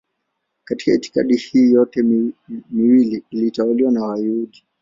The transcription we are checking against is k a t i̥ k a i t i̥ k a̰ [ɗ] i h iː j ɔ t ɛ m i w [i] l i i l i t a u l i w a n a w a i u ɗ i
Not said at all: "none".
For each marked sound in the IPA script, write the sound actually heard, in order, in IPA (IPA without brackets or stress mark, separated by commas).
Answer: ɗ, i